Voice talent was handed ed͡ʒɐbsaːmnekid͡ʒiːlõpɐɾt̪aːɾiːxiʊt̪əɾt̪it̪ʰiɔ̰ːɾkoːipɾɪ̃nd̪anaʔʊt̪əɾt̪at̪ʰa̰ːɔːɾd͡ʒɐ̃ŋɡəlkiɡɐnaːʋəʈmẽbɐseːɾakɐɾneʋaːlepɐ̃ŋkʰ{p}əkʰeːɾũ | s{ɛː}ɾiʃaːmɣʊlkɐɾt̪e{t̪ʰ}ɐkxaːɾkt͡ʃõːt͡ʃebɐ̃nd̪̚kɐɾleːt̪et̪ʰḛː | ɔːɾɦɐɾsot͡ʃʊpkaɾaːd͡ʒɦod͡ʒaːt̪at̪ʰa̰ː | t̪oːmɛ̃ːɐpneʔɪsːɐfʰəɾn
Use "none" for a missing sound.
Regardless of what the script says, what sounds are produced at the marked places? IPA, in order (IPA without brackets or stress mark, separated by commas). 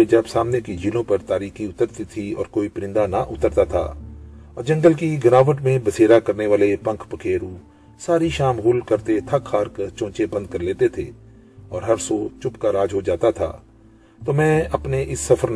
p, aː, t̪ʰ